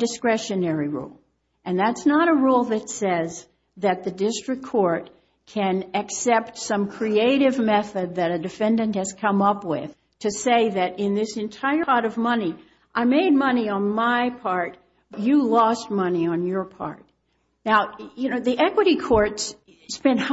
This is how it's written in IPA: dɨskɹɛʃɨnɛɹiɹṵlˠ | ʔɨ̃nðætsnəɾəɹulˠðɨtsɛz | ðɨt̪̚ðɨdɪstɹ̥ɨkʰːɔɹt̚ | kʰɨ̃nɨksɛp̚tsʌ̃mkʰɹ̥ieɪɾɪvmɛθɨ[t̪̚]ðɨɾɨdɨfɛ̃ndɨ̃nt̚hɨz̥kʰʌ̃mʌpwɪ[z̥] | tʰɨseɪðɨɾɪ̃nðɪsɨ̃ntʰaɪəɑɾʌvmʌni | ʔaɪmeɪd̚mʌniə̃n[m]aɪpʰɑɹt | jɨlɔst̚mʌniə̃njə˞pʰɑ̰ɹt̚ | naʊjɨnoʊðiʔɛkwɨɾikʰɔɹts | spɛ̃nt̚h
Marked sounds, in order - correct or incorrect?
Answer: incorrect: d̪̚, incorrect: ð̥, correct

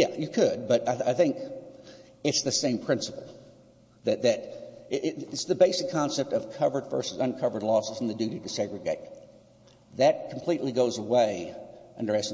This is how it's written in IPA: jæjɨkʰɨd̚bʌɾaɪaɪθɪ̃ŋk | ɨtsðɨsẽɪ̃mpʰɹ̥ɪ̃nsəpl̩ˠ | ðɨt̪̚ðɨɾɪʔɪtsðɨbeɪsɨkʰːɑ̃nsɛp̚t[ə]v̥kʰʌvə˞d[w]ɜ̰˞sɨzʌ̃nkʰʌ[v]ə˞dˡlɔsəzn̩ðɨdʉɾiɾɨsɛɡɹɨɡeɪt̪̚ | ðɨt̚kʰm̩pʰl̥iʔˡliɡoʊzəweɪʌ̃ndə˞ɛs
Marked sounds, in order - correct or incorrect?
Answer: incorrect: ʌ, incorrect: v, correct

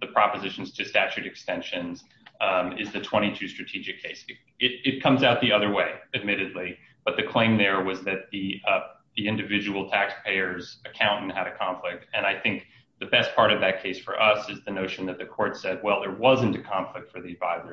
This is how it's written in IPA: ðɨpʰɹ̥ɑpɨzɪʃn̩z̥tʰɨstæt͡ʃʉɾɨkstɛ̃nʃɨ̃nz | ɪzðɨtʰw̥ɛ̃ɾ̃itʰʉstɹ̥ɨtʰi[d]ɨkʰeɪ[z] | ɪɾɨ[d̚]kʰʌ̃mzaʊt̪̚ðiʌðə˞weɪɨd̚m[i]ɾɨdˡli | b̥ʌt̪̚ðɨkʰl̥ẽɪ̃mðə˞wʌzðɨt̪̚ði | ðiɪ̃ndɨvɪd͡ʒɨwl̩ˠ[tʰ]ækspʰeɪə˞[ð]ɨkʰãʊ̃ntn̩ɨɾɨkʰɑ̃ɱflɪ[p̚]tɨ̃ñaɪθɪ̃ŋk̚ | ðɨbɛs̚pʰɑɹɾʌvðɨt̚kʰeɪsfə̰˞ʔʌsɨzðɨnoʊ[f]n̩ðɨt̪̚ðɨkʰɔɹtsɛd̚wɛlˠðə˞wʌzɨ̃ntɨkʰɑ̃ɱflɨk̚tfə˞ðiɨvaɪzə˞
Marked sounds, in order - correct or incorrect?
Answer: incorrect: d͡ʒ, incorrect: s, incorrect: t̚, incorrect: ɪ, correct, incorrect: z, incorrect: k̚, incorrect: ʃ

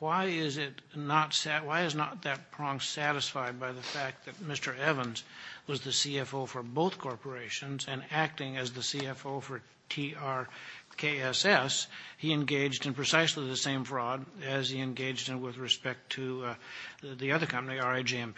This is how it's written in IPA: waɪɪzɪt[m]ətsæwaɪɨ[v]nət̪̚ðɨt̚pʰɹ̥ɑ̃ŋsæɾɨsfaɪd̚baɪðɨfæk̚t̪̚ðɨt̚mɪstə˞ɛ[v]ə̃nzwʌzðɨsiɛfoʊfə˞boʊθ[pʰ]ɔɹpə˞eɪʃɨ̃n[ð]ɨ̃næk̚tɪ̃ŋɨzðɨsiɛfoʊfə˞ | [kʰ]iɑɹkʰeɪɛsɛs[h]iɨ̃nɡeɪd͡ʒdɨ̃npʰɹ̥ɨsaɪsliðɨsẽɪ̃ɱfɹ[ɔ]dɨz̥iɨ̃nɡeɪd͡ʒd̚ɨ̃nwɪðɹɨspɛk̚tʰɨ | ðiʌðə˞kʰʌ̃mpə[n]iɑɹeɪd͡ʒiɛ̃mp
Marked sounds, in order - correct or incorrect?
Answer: incorrect: n, incorrect: z, correct, incorrect: kʰ, incorrect: z, incorrect: tʰ, correct, correct, correct

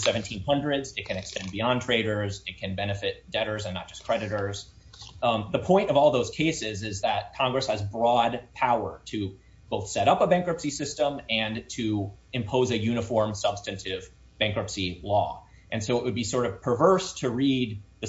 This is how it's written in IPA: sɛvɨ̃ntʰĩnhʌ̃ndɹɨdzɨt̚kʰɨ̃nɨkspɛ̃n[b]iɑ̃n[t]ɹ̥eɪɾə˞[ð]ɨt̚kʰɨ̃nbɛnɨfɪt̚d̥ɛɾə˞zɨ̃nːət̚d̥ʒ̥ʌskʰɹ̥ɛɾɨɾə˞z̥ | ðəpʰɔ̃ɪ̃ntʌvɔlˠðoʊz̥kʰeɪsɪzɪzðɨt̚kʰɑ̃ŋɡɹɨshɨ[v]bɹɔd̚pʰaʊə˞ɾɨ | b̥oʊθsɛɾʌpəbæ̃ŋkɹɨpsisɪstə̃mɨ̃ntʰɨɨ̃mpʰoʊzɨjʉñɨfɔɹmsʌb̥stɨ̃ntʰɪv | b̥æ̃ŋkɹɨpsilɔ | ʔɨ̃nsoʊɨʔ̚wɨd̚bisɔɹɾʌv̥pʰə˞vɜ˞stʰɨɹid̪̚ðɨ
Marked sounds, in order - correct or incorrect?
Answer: correct, incorrect: tʰ, incorrect: z, incorrect: z

